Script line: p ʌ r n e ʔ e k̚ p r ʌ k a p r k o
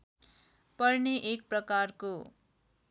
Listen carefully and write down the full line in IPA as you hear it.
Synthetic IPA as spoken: p ʌ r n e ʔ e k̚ p r ʌ k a r k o